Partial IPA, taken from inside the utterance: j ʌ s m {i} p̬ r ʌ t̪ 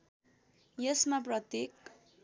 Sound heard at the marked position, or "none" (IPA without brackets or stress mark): a